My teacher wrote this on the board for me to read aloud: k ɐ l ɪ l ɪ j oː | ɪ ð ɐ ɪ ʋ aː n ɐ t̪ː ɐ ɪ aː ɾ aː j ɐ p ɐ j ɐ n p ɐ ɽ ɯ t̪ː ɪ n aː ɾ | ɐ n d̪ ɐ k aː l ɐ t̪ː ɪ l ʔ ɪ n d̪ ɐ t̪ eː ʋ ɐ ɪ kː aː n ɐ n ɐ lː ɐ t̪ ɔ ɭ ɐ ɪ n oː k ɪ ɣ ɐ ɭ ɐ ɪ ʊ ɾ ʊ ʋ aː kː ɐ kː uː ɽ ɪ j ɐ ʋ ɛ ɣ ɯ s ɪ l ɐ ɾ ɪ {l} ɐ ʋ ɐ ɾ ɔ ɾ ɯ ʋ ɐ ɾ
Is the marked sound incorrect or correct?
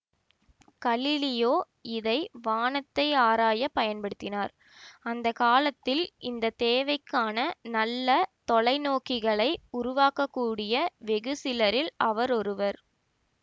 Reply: correct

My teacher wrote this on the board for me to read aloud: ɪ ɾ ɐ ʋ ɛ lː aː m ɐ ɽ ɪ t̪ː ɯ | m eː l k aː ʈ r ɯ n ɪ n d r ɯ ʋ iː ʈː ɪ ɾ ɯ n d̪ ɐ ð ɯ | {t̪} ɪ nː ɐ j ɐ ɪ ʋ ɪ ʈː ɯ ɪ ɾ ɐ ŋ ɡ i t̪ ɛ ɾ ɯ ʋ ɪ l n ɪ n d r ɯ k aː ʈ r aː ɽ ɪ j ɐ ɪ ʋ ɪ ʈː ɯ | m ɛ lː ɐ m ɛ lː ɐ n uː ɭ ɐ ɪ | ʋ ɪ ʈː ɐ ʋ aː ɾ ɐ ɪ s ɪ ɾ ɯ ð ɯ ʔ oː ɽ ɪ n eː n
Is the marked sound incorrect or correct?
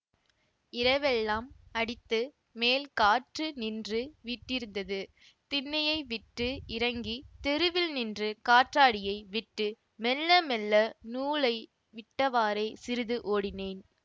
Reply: correct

